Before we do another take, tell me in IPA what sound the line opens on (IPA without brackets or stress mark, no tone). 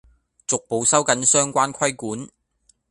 t͡s